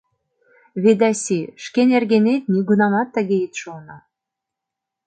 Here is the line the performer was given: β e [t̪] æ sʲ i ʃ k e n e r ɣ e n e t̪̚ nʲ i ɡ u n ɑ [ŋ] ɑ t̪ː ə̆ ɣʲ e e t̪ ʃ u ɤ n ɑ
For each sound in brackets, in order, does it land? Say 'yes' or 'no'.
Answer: no, no

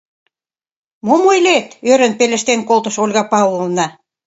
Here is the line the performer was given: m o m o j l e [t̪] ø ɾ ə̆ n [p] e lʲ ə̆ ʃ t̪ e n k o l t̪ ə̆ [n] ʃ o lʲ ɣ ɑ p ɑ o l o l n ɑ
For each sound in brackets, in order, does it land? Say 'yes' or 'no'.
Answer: yes, yes, no

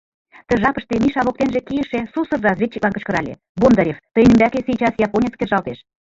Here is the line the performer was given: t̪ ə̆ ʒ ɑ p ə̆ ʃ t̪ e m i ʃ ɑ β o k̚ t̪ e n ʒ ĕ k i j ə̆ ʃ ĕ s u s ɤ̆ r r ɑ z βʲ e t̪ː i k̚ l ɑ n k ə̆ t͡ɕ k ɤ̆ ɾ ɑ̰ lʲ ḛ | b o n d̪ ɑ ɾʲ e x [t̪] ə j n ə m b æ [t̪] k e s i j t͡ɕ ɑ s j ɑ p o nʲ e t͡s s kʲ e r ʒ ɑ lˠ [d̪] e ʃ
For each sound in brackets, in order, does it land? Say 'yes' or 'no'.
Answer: yes, no, no

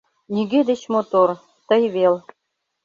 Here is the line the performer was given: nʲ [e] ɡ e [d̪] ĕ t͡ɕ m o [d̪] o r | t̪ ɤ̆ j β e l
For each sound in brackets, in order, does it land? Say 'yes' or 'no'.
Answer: no, yes, no

